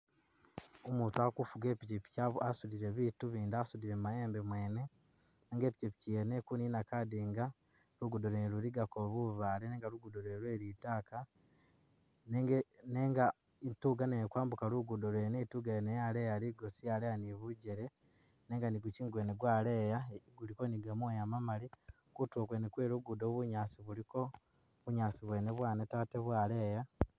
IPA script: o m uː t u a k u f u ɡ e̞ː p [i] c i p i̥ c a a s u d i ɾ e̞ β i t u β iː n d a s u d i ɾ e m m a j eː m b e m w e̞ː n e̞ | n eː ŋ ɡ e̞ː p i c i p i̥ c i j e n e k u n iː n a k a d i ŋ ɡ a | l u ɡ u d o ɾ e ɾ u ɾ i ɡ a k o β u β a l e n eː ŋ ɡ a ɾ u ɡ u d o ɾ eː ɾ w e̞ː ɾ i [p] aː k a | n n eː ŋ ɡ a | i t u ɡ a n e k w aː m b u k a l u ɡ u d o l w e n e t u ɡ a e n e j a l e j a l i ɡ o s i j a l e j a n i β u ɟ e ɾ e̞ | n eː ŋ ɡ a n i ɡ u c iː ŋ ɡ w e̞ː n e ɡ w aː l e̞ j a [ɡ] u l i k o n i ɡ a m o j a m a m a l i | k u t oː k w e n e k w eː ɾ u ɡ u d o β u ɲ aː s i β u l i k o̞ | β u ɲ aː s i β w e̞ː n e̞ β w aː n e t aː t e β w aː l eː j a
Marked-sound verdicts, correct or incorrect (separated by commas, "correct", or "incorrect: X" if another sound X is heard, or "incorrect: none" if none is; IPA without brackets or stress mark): correct, incorrect: t, correct